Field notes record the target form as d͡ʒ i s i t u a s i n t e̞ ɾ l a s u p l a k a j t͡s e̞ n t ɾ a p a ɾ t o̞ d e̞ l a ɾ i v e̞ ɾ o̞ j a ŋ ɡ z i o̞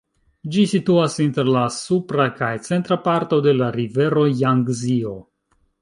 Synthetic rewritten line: d͡ʒ i s i t u a s i n t e̞ ɾ l a s u p ɾ a k a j t͡s e̞ n t ɾ a p a ɾ t o̞ d e̞ l a ɾ i v e̞ ɾ o̞ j a ŋ ɡ z i o̞

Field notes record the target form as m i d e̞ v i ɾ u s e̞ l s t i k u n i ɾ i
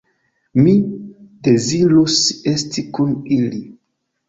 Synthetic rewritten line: m i d e̞ z i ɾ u s e̞ s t i k u n i l i

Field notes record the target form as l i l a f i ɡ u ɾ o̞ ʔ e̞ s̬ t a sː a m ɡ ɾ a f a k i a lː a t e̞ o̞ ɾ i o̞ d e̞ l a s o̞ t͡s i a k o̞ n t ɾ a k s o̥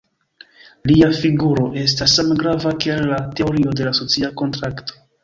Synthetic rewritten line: l i a f i ɡ u ɾ o̞ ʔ e̞ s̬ t a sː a m ɡ ɾ a v a k i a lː a t e̞ o̞ ɾ i o̞ d e̞ l a s o̞ t͡s i a k o̞ n t ɾ a k t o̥

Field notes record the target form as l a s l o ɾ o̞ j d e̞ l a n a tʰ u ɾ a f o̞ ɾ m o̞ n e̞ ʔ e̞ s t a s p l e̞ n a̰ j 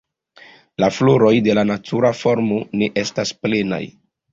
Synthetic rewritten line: l a f l o ɾ o̞ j d e̞ l a n a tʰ u ɾ a f o̞ ɾ m o̞ n e̞ ʔ e̞ s t a s p l e̞ n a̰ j

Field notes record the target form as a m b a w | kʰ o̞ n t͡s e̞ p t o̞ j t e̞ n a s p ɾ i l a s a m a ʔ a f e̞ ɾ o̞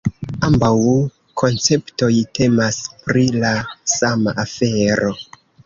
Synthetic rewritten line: a m b a w | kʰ o̞ n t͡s e̞ p t o̞ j t e̞ m a s p ɾ i l a s a m a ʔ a f e̞ ɾ o̞

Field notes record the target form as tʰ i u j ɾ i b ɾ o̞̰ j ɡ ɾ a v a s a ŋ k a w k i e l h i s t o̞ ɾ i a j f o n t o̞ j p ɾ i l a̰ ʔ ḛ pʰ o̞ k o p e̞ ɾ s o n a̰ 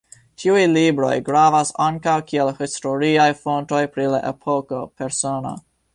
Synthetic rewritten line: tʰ i u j l i b ɾ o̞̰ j ɡ ɾ a v a s a ŋ k a w k i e l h i s t o̞ ɾ i a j f o n t o̞ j p ɾ i l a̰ ʔ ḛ pʰ o̞ k o p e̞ ɾ s o n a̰

